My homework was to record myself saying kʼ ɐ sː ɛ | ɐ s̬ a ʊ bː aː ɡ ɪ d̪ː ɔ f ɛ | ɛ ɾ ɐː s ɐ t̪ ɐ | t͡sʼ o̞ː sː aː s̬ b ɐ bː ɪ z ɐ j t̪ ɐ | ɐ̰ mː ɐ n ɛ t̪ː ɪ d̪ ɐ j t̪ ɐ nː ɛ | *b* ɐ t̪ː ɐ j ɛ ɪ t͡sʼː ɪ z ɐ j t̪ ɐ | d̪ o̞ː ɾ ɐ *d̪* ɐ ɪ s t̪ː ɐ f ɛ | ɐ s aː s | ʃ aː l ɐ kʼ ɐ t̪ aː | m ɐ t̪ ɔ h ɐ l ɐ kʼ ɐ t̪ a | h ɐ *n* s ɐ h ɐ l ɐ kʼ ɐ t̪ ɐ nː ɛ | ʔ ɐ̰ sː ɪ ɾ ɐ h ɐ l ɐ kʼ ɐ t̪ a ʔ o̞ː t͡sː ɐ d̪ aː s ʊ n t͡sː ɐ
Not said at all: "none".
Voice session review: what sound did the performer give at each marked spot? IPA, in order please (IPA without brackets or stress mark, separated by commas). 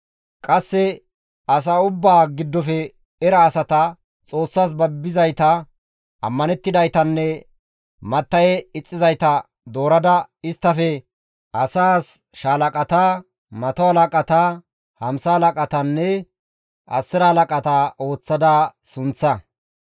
m, d̪, m